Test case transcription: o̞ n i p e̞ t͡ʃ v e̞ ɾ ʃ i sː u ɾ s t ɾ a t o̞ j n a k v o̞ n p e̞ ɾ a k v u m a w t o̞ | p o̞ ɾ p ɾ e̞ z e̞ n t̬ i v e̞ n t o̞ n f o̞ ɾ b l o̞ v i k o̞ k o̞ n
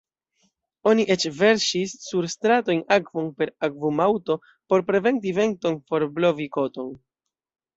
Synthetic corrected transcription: o̞ n i ʔ e̞ t͡ʃ v e̞ ɾ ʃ i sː u ɾ s t ɾ a t o̞ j n a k v o̞ n p e̞ ɾ a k v u m a w t o̞ | p o̞ ɾ p ɾ e̞ v e̞ n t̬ i v e̞ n t o̞ n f o̞ ɾ b l o̞ v i k o̞ t o̞ n

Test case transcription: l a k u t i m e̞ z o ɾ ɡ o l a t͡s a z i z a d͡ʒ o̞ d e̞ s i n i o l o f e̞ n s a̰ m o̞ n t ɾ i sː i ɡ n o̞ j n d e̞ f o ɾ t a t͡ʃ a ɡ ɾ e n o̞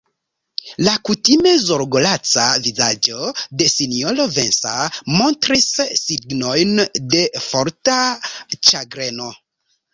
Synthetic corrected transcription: l a k u t i m e̞ z o ɾ ɡ o l a t͡s a v i z a d͡ʒ o̞ d e̞ s i n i o l o v e̞ n s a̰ m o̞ n t ɾ i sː i ɡ n o̞ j n d e̞ f o ɾ t a t͡ʃ a ɡ ɾ e n o̞

